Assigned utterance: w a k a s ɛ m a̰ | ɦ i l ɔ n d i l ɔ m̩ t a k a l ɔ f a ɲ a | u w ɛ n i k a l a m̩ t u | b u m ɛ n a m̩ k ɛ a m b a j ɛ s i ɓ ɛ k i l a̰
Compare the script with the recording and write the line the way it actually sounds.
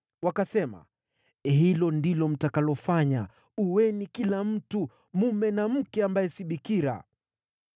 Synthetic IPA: w a k a s ɛ m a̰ | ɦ i l ɔ n d i l ɔ m̩ t a k a l ɔ f a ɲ a | u w ɛ n i k i l a m̩ t u | m u m ɛ n a m̩ k ɛ a m b a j ɛ s i ɓ i k i ɾ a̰